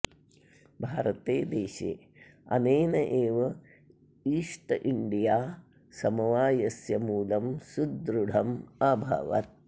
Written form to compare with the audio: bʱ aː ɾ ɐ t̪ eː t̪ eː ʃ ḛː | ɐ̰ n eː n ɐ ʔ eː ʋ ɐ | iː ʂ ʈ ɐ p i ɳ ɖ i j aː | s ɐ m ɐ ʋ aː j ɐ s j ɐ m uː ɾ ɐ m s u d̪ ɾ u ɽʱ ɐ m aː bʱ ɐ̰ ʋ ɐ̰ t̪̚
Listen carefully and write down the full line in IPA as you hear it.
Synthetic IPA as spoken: bʱ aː ɾ ɐ t̪ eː d̪ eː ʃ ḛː | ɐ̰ n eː n ɐ ʔ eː ʋ ɐ | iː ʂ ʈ ɐ ʔ i ɳ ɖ i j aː | s ɐ m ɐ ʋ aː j ɐ s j ɐ m uː l ɐ m s u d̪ ɾ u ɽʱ ɐ m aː bʱ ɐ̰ ʋ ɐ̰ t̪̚